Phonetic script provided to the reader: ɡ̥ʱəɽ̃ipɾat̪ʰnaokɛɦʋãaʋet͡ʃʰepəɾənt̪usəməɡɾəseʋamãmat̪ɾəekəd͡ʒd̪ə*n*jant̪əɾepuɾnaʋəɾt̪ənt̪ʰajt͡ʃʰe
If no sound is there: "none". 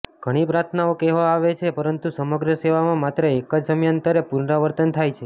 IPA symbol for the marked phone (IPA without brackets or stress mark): m